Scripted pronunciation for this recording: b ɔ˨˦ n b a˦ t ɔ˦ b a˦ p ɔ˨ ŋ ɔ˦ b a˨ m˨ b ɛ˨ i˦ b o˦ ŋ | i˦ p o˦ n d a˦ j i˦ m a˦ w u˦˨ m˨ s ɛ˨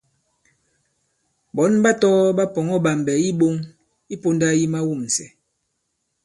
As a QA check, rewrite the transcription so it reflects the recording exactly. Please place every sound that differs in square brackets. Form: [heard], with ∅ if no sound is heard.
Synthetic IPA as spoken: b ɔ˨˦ n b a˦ t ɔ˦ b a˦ p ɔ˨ ŋ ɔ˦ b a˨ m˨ b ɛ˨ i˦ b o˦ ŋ | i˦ p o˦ n d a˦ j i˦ m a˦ w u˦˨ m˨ s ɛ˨

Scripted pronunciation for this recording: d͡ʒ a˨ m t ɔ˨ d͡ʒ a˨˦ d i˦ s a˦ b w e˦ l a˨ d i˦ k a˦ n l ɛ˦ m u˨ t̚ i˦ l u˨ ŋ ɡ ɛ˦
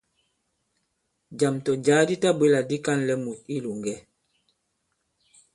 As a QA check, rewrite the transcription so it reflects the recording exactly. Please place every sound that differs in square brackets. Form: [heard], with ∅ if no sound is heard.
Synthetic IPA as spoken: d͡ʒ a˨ m t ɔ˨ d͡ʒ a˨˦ d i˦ [t] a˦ b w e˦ l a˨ d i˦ k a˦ n l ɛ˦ m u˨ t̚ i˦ l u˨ ŋ ɡ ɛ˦

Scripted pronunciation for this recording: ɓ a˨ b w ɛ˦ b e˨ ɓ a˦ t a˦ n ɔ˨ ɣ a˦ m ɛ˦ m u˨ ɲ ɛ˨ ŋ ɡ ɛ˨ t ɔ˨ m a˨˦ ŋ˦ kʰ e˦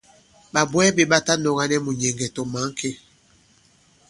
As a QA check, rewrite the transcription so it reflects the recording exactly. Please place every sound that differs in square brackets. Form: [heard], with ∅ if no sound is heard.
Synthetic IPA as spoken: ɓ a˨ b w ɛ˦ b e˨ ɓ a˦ t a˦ n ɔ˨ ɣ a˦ [n] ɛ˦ m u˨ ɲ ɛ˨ ŋ ɡ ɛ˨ t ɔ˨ m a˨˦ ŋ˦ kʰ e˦

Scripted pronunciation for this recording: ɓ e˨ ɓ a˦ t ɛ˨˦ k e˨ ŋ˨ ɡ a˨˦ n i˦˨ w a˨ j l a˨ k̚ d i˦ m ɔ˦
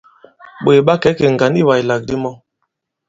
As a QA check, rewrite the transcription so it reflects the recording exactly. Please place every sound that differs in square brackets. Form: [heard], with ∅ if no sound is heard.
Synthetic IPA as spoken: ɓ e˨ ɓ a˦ [k] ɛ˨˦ k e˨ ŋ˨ ɡ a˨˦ n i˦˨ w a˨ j l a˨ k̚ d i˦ m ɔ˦

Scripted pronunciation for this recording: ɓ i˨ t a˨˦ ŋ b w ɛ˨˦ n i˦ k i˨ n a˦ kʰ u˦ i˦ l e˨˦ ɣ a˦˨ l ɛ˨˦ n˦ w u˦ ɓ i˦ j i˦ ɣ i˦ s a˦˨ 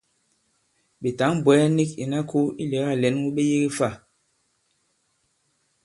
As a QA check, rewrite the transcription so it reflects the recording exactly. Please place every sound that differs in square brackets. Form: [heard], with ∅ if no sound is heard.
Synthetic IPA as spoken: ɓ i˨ t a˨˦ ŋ b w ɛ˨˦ n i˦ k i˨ n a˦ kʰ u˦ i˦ l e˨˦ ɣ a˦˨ l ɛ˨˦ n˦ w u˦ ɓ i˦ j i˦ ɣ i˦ [f] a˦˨

